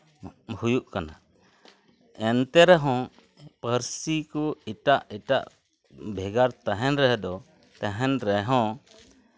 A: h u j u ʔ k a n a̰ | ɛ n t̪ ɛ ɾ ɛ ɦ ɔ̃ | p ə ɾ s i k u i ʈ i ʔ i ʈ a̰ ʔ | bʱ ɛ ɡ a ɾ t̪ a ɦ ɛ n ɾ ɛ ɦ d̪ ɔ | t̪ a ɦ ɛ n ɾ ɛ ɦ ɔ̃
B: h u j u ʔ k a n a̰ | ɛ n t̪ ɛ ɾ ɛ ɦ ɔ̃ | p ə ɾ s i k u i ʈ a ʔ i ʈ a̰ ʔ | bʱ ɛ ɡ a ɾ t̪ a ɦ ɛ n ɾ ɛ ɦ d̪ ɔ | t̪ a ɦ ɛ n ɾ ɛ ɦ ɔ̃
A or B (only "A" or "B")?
B